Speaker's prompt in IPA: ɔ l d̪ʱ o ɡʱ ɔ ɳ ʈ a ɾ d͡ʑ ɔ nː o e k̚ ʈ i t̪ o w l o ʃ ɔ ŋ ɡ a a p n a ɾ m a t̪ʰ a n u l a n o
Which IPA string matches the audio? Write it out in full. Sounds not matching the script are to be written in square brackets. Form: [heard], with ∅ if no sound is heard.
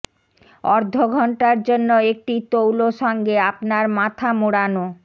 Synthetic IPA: ɔ [ɾ] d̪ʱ o ɡʱ ɔ ɳ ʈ a ɾ d͡ʑ [o] nː o e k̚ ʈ i t̪ o w l o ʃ ɔ ŋ ɡ [e] a p n a ɾ m a t̪ʰ a [m] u [ɽ] a n o